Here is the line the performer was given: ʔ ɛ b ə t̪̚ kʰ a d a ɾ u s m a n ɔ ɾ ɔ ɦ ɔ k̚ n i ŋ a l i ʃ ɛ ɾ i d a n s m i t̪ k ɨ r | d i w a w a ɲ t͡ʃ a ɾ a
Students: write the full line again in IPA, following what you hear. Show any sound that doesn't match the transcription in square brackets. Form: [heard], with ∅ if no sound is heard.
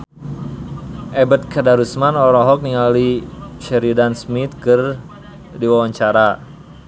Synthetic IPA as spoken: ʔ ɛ b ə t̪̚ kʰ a d a ɾ u s m a n ɔ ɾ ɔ ɦ ɔ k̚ n i ŋ a l i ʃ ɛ ɾ i d a n s m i t̪ k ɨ r | d i w a w a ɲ t͡ʃ a ɾ a